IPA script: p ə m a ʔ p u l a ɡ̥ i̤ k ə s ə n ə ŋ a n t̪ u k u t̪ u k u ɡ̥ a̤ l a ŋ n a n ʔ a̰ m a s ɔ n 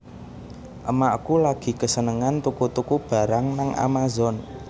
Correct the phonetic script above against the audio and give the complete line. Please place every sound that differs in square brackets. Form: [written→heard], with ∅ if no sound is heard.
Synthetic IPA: [p→ʔ] ə m a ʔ [p→k] u l a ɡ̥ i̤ k ə s ə n ə ŋ a n t̪ u k u t̪ u k u [ɡ̥→b̥] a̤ [l→ɾ] a ŋ n a [n→ŋ] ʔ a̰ m a [s→z] ɔ n